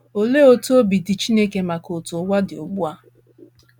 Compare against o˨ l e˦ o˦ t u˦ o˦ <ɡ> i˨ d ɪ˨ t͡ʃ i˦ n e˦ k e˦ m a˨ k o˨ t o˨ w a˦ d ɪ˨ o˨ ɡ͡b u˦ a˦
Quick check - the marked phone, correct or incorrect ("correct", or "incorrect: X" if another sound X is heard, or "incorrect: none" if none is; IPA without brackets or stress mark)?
incorrect: b